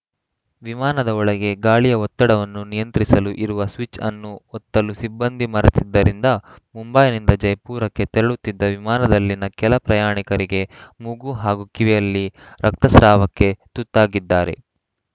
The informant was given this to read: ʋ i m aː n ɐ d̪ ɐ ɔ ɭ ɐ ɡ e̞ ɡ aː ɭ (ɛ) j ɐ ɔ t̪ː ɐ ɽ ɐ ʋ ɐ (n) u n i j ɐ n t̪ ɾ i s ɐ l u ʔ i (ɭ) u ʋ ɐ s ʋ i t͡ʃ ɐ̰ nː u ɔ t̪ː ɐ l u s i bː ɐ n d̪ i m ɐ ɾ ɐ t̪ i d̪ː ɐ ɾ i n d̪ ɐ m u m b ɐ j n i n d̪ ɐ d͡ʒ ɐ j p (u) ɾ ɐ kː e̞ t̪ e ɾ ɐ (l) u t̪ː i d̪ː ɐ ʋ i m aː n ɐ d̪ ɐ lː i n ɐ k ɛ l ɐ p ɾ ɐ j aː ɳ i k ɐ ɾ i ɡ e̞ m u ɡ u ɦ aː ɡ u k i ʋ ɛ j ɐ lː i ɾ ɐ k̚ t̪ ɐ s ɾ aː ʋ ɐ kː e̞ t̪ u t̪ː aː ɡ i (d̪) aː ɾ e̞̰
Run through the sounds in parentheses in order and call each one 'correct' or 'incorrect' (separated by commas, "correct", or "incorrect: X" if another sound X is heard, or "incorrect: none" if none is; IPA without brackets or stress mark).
incorrect: i, incorrect: nː, incorrect: ɾ, incorrect: uː, incorrect: ɭ, incorrect: d̪ː